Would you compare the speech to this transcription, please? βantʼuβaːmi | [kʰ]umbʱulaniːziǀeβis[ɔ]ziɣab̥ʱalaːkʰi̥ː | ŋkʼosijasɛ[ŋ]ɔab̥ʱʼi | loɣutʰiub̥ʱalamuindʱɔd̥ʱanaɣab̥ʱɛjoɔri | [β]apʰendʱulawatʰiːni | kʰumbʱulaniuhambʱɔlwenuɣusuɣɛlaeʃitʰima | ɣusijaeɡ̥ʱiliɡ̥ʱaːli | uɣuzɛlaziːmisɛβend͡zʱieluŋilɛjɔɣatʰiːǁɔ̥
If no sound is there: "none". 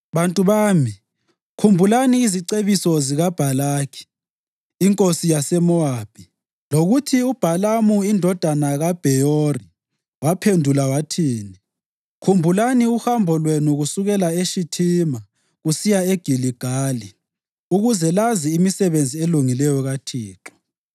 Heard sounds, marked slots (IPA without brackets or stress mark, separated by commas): kʰ, ɔ, m, w